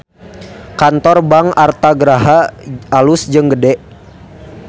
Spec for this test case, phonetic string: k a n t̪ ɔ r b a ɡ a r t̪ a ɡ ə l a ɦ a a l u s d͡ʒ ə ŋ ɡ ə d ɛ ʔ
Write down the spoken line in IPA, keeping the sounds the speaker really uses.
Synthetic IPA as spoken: k a n t̪ ɔ r b a ŋ a r t̪ a ɡ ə ɾ a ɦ a a l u s d͡ʒ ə ŋ ɡ ə d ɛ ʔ